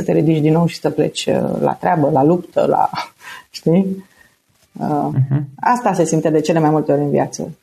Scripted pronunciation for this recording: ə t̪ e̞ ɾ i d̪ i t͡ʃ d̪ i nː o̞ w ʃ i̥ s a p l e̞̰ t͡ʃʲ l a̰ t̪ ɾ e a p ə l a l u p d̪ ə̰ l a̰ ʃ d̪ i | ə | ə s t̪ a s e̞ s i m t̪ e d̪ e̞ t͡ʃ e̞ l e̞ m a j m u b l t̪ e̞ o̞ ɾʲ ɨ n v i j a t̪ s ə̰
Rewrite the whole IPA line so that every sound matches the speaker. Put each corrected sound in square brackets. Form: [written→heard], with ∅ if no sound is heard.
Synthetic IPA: ə t̪ e̞ ɾ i d̪ i t͡ʃ d̪ i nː o̞ w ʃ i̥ s [a→ə] p l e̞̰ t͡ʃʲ l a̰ t̪ ɾ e a [p→b] ə l a l u p [d̪→t̪] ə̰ l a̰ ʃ [d̪→t̪] i | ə | [ə→a] s t̪ a s e̞ s i m t̪ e d̪ e̞ t͡ʃ e̞ l e̞ m a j m u [b→∅] l t̪ e̞ o̞ ɾʲ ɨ n v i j a t̪ s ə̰